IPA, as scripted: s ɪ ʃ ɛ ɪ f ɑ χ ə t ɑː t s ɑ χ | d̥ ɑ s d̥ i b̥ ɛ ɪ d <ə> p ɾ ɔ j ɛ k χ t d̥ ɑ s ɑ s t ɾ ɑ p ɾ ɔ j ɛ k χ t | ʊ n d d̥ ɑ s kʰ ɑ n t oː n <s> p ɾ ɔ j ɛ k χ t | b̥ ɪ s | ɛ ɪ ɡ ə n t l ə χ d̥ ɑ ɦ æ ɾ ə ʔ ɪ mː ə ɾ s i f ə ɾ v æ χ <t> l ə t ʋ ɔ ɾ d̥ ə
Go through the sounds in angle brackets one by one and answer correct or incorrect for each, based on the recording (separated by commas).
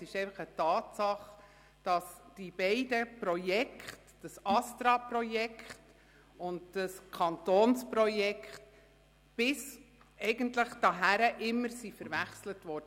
correct, correct, incorrect